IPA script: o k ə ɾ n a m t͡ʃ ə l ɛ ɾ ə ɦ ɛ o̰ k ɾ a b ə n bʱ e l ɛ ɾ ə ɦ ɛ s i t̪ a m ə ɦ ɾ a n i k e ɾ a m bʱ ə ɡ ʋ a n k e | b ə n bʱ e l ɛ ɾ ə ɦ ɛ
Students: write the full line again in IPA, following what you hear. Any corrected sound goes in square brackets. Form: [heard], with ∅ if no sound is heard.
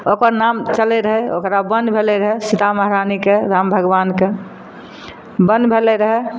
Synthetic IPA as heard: o k ə ɾ n a m t͡ʃ ə l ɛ ɾ ə ɦ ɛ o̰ k ɾ a b ə n bʱ e l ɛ ɾ ə ɦ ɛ s i t̪ a m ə ɦ ɾ a n i k e ɾ a m bʱ ə ɡ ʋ a n k e | b ə n bʱ e l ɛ ɾ ə ɦ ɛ